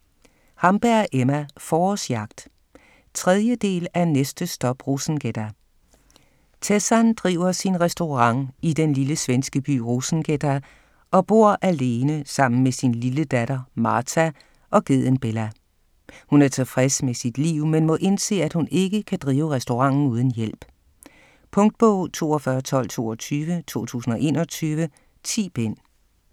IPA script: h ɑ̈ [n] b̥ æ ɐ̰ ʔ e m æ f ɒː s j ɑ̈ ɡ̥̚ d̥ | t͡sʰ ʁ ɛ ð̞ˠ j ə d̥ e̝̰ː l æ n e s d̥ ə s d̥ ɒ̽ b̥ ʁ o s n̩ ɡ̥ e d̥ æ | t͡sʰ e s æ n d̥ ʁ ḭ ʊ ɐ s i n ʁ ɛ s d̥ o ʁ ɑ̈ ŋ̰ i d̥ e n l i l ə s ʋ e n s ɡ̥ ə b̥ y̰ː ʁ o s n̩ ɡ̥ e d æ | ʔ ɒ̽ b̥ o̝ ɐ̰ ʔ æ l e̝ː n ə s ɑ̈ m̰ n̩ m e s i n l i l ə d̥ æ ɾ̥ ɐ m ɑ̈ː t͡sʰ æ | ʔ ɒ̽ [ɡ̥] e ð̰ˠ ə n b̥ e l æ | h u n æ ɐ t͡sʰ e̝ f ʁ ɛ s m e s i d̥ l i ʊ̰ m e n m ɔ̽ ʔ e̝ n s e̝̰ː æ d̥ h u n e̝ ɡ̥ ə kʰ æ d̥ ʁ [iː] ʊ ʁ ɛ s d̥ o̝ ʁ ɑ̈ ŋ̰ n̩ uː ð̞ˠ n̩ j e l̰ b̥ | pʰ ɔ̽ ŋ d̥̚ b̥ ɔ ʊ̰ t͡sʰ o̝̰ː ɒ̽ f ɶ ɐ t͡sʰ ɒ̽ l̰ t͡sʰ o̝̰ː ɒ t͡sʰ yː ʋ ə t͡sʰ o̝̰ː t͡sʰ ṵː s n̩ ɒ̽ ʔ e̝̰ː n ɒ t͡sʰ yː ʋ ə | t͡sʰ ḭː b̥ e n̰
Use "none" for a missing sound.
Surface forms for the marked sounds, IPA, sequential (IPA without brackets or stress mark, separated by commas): m, ɡ̥, iː